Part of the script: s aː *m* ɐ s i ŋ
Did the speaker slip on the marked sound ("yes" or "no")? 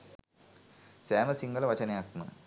no